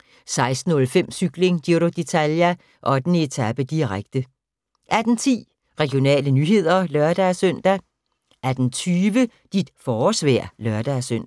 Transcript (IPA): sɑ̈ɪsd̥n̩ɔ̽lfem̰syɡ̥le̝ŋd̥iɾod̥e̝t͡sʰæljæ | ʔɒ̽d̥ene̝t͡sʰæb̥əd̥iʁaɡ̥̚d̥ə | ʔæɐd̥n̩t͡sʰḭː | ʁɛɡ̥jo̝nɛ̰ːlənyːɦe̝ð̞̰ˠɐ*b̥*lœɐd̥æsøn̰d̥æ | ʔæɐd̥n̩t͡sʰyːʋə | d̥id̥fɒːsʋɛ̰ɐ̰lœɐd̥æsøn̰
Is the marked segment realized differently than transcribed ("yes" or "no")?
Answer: yes